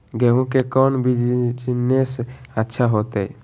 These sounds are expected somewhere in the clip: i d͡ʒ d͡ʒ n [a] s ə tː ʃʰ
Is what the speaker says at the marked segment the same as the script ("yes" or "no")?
no